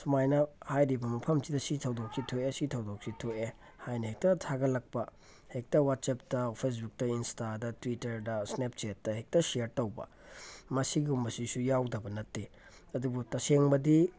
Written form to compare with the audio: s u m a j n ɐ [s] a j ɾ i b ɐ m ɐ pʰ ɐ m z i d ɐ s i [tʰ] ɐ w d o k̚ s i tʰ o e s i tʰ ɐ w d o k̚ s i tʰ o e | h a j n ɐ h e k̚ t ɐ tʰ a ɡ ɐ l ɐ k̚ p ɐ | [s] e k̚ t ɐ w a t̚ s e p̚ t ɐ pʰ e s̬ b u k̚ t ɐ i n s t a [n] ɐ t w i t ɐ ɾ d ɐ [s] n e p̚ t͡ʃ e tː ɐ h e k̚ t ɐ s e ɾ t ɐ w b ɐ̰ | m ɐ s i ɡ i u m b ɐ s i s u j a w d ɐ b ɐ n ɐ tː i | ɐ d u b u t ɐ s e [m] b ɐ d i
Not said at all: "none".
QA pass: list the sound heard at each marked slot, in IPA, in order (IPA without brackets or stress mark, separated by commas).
h, tʰ, h, d, s, ŋ